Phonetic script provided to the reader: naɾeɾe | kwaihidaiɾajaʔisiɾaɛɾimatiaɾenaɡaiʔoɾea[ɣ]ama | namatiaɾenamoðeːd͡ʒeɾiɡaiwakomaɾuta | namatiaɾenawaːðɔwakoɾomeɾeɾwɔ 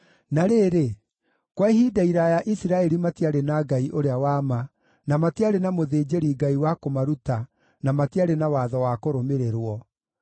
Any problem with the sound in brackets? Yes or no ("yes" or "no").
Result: yes